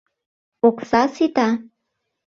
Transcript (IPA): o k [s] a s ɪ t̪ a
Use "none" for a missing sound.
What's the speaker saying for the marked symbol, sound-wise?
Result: s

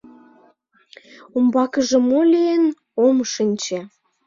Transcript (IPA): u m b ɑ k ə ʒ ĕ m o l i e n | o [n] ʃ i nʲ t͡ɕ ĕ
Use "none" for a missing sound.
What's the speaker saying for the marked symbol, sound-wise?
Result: m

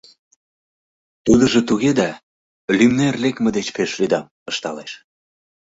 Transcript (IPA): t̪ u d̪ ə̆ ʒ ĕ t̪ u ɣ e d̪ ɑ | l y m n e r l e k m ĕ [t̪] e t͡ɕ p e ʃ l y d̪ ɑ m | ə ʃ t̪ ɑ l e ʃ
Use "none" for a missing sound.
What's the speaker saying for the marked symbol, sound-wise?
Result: d̪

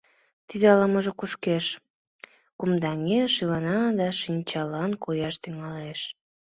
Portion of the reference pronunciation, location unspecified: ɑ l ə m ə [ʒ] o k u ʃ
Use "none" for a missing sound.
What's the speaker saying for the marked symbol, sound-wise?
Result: ʒ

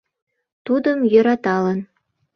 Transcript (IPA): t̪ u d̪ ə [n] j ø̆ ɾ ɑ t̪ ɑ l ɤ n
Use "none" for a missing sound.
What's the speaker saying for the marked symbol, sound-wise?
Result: m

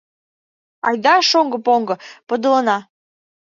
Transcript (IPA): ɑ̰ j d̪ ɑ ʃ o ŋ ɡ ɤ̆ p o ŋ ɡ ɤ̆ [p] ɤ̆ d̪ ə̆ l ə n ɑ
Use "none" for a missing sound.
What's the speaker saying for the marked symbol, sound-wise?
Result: p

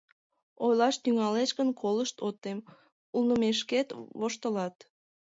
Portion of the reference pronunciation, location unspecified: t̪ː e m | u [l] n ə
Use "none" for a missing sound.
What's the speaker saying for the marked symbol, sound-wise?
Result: l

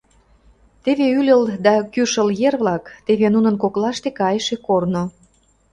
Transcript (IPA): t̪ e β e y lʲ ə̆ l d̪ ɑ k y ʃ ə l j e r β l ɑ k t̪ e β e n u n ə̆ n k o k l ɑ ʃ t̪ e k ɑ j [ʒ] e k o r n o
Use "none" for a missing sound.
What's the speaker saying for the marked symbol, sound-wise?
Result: ʃ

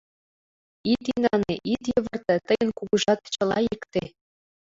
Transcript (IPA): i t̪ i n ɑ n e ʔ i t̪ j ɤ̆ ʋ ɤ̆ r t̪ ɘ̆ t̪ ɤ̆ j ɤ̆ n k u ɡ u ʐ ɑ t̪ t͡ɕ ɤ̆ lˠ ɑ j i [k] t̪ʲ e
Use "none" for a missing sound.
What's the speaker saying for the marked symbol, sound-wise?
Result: k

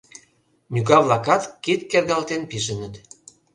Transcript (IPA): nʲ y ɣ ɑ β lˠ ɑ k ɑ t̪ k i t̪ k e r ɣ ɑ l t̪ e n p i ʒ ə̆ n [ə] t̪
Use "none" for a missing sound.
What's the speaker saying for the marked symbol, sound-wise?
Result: ə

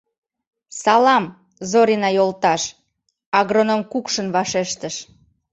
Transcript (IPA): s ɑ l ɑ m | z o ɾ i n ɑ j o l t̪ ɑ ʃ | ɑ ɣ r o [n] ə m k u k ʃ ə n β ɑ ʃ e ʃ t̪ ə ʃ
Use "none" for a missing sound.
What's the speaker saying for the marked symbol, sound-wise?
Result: n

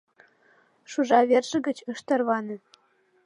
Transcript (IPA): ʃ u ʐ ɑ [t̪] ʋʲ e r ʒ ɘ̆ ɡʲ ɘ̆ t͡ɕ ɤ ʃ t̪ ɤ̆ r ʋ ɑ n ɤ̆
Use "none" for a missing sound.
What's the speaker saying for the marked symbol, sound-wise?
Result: none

